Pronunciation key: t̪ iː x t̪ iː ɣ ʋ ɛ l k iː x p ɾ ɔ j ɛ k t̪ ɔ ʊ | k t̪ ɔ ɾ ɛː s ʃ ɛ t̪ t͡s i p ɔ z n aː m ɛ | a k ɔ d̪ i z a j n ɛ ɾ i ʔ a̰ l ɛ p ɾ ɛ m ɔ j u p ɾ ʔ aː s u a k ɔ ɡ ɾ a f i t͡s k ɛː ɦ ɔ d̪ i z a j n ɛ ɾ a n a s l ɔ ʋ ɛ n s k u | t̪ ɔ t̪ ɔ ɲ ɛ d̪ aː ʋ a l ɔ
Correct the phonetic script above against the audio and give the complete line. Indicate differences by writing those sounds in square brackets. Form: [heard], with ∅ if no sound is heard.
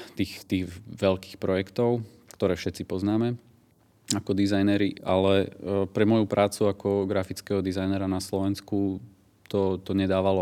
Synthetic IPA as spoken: t̪ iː x t̪ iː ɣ ʋ ɛ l k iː x p ɾ ɔ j ɛ k t̪ ɔ ʊ | k t̪ ɔ ɾ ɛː [f] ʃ ɛ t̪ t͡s i p ɔ z n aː m ɛ | a k ɔ d̪ i z a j n ɛ ɾ i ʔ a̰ l ɛ p ɾ ɛ m ɔ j u p ɾ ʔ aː [t͡s] u a k ɔ ɡ ɾ a f i t͡s k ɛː ɦ ɔ d̪ i z a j n ɛ ɾ a n a s l ɔ ʋ ɛ n s k u | t̪ ɔ t̪ ɔ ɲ ɛ d̪ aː ʋ a l ɔ